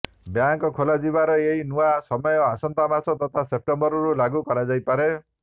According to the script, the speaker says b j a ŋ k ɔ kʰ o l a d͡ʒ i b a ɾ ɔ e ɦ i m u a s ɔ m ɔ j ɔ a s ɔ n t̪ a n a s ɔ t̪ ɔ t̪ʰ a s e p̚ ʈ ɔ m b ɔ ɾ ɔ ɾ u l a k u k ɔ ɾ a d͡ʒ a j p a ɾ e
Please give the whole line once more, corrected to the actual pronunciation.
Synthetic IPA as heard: b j a ŋ k ɔ kʰ o l a d͡ʒ i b a ɾ ɔ e ɦ i n u a s ɔ m ɔ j ɔ a s ɔ n t̪ a m a s ɔ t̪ ɔ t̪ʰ a s e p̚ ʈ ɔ m b ɔ ɾ ɔ ɾ u l a ɡ u k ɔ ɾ a d͡ʒ a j p a ɾ e